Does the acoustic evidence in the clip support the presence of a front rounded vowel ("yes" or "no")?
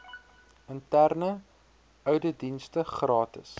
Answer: yes